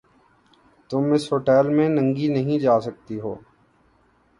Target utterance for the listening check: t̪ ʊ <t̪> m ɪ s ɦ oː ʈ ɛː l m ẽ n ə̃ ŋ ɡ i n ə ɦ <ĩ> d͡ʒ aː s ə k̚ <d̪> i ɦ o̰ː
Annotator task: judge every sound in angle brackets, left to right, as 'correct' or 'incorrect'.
incorrect, correct, incorrect

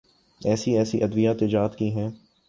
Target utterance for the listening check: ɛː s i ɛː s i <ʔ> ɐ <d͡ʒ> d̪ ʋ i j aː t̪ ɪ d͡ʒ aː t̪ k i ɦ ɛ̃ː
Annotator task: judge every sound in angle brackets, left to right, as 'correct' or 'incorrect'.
correct, incorrect

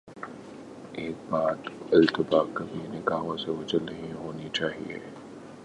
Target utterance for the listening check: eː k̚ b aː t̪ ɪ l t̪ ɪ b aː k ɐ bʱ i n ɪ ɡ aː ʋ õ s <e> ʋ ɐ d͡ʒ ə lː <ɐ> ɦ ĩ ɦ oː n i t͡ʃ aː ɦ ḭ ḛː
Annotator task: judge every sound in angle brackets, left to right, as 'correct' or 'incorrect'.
correct, correct

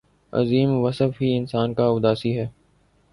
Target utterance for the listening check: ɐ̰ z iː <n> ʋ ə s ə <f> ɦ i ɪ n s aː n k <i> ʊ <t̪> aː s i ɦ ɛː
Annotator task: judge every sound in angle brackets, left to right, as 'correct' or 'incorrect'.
incorrect, correct, incorrect, incorrect

